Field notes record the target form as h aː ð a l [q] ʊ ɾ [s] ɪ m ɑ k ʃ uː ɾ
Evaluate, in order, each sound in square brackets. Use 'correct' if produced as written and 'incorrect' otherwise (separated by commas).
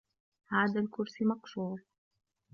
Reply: incorrect, correct